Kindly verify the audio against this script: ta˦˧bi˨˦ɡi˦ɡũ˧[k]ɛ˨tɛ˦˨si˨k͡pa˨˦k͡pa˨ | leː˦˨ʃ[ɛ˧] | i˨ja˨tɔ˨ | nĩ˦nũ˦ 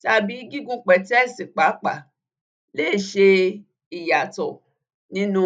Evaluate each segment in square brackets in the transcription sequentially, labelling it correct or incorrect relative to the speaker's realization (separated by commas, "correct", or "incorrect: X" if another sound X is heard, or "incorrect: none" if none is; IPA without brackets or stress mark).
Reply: incorrect: k͡p, incorrect: e˧